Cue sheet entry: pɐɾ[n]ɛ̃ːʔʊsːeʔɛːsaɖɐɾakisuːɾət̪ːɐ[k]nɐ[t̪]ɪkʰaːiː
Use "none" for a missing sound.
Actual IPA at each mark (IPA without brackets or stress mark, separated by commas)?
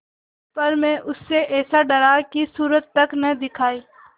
m, k, d̪